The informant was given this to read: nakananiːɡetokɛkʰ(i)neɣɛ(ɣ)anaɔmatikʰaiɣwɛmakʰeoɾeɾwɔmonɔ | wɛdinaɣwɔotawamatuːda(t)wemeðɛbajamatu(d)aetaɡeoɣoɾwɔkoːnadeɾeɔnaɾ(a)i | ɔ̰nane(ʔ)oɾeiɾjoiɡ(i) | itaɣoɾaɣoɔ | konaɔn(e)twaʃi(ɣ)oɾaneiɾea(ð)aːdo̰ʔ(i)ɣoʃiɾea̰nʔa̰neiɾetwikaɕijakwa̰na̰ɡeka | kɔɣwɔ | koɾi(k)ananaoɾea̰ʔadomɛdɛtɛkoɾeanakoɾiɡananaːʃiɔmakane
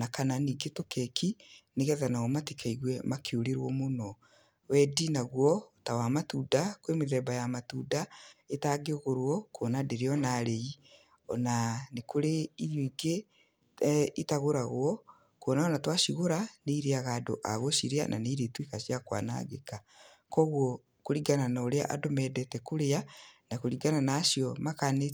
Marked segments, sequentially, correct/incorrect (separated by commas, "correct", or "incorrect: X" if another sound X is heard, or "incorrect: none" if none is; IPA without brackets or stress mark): correct, incorrect: ð, incorrect: k, correct, incorrect: e, incorrect: k, incorrect: e, incorrect: a, correct, incorrect: ɣ, incorrect: a, incorrect: ɡ